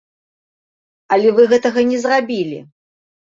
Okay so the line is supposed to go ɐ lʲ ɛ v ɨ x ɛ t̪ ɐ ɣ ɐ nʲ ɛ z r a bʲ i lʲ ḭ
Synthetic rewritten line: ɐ lʲ ɛ v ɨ ɣ ɛ t̪ ɐ ɣ ɐ nʲ ɛ z r a bʲ i lʲ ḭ